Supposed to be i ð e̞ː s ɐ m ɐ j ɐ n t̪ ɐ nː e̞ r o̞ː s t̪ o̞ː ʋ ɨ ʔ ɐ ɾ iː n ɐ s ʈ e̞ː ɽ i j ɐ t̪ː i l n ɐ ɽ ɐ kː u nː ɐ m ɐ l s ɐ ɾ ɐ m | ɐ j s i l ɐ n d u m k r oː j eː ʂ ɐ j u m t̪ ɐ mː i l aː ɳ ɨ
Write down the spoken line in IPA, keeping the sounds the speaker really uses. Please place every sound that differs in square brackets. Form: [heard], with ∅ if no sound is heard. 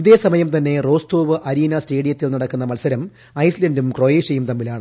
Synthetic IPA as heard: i ð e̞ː s ɐ m ɐ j ɐ [m] t̪ ɐ nː e̞ r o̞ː s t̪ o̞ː ʋ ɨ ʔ ɐ ɾ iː n ɐ s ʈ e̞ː ɽ i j ɐ t̪ː i l n ɐ ɽ ɐ kː u nː ɐ m ɐ l s ɐ ɾ ɐ m | ɐ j s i l ɐ n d u m k r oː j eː ʂ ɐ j u m t̪ ɐ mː i l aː ɳ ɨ